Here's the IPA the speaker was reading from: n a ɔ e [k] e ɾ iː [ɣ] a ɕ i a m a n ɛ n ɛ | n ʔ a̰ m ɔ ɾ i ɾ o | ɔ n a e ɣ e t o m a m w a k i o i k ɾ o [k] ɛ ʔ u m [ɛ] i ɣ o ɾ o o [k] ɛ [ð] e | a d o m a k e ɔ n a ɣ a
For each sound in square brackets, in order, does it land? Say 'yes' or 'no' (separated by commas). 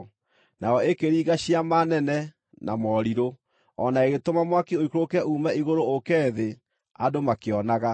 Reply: yes, yes, yes, yes, yes, yes